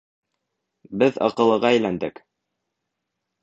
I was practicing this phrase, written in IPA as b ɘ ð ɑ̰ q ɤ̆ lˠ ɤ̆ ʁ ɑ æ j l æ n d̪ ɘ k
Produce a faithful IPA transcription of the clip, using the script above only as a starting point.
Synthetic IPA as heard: b ɘ ð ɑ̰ q ɤ̆ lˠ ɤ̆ ʁ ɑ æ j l æ n d̪ ɘ k